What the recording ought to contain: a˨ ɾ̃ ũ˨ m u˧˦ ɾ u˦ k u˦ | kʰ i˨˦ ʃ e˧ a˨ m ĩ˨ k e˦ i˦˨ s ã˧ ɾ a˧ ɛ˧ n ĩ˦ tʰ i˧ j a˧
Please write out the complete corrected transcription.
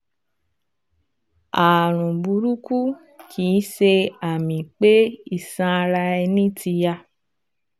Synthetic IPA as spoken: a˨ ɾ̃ ũ˨ b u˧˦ ɾ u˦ k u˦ | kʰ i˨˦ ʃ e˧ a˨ m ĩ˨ k͡p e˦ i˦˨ s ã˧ ɾ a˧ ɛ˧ n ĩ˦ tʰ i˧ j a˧